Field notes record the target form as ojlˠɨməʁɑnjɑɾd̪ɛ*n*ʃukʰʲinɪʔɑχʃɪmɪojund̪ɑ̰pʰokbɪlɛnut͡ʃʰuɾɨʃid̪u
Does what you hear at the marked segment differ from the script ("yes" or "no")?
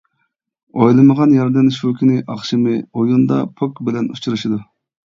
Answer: no